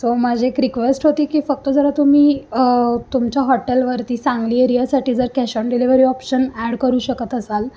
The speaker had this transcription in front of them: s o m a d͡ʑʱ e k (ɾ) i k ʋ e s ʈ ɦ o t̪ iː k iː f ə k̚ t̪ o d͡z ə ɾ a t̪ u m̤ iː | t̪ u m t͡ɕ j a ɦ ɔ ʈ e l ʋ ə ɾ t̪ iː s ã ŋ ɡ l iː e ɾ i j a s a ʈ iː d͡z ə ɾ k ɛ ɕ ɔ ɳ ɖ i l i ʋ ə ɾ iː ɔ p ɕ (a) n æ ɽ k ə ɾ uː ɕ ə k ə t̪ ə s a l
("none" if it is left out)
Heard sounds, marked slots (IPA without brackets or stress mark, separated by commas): ɾ, ə